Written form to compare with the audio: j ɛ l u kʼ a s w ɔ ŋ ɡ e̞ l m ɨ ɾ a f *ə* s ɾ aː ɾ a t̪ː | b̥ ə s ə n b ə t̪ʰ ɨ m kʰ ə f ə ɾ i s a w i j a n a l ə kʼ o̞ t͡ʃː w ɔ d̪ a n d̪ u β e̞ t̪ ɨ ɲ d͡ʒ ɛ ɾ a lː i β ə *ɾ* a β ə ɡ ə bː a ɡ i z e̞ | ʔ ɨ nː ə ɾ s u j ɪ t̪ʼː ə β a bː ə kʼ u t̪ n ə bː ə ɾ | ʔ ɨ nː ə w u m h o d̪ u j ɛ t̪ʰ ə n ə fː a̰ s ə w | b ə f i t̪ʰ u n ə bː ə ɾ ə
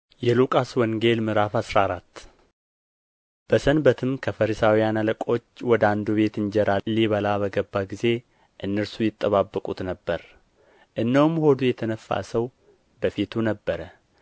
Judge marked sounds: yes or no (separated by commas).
no, no